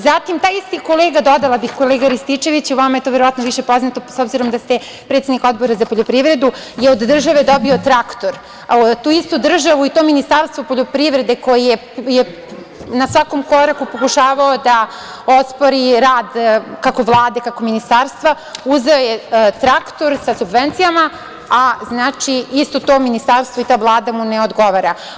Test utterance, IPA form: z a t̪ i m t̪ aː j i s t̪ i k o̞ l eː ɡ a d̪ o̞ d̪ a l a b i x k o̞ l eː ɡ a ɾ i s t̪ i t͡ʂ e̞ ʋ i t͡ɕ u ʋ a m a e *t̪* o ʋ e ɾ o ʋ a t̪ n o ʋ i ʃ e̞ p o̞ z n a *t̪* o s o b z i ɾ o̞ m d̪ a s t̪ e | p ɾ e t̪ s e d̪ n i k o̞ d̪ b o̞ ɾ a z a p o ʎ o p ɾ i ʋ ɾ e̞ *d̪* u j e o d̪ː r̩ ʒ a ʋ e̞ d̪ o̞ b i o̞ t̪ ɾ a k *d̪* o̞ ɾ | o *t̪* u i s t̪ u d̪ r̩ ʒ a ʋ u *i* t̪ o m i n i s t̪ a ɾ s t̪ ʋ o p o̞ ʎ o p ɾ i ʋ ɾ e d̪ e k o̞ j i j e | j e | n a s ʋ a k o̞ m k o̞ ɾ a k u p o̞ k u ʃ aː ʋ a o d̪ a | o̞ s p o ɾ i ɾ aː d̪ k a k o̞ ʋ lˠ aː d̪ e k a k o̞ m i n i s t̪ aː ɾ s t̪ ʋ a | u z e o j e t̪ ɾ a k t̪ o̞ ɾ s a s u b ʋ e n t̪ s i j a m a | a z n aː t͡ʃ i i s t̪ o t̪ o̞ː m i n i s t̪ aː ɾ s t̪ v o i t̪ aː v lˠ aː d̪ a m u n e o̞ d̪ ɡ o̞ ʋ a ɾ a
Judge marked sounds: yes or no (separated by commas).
yes, yes, yes, no, yes, yes